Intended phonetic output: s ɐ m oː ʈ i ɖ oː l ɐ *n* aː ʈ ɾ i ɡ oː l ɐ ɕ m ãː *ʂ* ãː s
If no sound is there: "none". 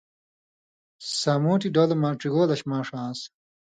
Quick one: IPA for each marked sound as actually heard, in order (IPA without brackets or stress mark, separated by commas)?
m, ʂ